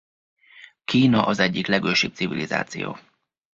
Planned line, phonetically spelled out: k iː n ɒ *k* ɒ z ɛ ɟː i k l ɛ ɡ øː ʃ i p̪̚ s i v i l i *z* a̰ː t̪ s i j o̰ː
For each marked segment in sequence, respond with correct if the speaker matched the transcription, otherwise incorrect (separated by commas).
incorrect, correct